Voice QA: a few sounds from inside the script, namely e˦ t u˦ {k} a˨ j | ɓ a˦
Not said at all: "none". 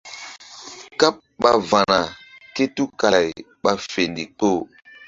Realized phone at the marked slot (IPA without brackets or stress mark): k